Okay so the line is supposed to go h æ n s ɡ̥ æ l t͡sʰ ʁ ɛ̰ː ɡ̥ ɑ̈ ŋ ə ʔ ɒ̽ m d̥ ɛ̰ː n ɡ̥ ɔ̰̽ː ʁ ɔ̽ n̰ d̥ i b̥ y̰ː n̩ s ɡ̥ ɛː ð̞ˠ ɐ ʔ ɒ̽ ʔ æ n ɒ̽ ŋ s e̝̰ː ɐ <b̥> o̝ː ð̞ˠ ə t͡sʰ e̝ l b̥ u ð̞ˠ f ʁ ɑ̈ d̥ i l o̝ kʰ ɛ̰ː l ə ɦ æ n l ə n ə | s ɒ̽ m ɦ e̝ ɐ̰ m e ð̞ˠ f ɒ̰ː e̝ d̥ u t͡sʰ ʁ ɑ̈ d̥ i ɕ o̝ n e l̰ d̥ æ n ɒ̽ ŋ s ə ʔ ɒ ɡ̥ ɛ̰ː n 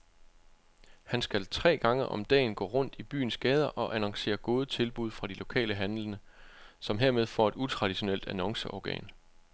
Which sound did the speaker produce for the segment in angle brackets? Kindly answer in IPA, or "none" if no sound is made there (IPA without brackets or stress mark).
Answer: ɡ̥